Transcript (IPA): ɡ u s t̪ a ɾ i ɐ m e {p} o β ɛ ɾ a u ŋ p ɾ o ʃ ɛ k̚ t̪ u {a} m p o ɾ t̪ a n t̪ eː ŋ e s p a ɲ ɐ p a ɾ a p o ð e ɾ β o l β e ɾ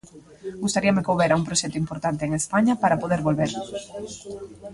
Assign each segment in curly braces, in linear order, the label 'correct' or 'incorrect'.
incorrect, incorrect

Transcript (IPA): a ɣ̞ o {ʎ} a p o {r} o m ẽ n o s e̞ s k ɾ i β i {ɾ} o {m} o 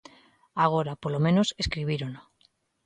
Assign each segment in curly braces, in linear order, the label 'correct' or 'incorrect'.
incorrect, incorrect, correct, incorrect

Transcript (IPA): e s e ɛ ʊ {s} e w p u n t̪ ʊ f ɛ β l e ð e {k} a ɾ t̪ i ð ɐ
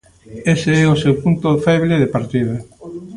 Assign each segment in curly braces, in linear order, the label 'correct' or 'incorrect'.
correct, incorrect

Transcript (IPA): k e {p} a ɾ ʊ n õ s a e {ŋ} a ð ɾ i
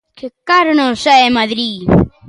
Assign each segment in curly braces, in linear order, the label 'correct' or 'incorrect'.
incorrect, incorrect

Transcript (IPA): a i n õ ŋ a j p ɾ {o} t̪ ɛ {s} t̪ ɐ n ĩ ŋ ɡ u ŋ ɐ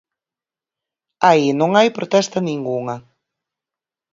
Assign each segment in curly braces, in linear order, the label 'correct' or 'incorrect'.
correct, correct

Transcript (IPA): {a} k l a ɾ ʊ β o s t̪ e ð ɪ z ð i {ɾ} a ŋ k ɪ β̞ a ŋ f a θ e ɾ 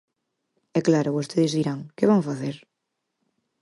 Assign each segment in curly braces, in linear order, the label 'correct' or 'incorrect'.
incorrect, correct

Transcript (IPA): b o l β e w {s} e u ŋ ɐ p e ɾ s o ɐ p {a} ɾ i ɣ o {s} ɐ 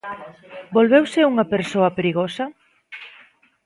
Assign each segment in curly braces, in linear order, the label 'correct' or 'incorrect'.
correct, incorrect, correct

